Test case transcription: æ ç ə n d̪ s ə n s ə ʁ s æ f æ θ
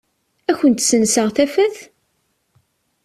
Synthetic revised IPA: æ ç ə n t̪ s ə n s ə ʁ θ æ f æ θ